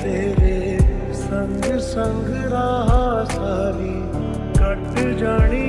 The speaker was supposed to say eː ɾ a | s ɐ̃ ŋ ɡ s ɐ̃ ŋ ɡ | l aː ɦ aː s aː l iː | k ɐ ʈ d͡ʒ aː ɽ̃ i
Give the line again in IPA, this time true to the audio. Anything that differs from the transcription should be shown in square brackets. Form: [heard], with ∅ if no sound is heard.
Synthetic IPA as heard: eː ɾ [e] | s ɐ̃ ŋ ɡ s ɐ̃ ŋ ɡ | [ɾ] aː ɦ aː s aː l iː | k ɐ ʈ d͡ʒ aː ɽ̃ i